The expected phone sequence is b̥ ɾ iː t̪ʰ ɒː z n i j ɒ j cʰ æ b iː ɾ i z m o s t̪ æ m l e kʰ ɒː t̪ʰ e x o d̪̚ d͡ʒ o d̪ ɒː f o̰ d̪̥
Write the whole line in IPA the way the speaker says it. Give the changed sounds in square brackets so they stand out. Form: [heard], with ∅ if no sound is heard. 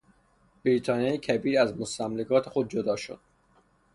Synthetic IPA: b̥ ɾ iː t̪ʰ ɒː [∅] n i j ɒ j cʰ æ b iː ɾ [æ] z m o s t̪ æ m l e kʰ ɒː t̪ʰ e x o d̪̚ d͡ʒ o d̪ ɒː [ʃ] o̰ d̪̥